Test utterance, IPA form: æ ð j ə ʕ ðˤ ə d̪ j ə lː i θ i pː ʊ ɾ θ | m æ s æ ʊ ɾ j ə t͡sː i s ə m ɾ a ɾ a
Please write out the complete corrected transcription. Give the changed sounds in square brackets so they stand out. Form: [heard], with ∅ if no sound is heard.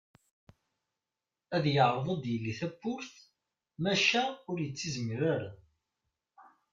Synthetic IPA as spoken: æ ð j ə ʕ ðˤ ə d̪ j ə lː i θ [æ] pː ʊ ɾ θ | m æ [ʃ] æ ʊ ɾ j ə t͡sː i [z] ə m ɾ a ɾ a